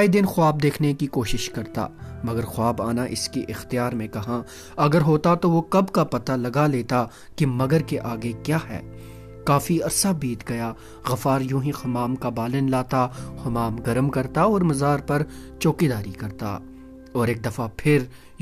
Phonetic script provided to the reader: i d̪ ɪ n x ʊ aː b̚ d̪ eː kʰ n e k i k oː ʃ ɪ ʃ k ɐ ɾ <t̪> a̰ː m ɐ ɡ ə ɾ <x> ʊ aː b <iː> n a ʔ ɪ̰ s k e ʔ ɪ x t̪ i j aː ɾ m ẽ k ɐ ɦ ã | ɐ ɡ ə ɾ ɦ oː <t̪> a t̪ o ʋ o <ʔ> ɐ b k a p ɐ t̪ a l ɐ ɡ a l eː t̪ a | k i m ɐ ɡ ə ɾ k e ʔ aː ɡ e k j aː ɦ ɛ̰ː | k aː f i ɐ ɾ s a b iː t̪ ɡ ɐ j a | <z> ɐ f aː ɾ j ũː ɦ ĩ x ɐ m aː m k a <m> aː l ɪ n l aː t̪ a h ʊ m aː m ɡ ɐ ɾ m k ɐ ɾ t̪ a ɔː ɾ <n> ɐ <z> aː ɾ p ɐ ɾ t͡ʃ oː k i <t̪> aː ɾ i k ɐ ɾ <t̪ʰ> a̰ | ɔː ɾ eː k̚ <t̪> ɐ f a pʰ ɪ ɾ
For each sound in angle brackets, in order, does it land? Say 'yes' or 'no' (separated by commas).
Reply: yes, yes, no, yes, no, no, no, no, yes, no, no, no